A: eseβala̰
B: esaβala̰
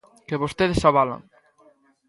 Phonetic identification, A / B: B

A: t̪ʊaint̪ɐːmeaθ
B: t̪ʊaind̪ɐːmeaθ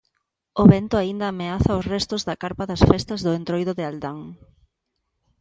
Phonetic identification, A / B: B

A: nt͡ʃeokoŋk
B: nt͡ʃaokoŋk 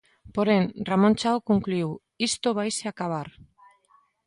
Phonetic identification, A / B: B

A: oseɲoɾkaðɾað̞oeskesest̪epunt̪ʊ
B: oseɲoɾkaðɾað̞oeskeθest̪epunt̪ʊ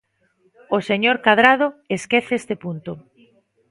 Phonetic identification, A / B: B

